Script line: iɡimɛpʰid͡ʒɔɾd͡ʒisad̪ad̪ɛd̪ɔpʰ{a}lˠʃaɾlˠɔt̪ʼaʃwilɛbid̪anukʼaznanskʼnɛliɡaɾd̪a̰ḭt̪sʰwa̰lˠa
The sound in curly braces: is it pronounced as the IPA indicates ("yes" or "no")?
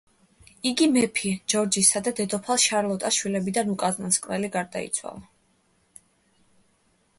yes